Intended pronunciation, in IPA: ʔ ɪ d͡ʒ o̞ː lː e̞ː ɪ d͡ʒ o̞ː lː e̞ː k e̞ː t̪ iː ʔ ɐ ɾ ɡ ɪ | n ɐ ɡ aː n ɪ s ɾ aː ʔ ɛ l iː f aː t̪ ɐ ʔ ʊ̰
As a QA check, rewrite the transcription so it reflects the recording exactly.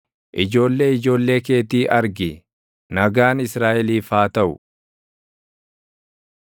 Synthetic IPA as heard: ʔ ɪ d͡ʒ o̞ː lː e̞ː ɪ d͡ʒ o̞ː lː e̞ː k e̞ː t̪ iː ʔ ɐ ɾ ɡ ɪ | n ɐ ɡ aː n ɪ s ɾ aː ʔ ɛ l iː f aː t̪ ɐ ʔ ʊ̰